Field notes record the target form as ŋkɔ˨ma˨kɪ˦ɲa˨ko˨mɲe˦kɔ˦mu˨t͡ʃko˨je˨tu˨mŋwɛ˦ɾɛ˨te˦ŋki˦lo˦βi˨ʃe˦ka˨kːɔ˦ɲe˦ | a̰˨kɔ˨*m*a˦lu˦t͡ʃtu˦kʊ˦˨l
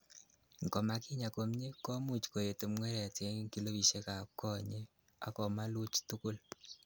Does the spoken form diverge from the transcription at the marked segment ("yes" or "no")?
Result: no